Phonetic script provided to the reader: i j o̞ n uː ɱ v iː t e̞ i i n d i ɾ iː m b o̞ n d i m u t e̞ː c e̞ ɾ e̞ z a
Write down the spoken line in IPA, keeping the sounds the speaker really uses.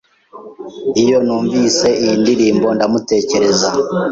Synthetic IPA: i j o̞ n uː ɱ v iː s e̞ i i n d i ɾ iː m b o̞ n d a m u t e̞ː c e̞ ɾ e̞ z a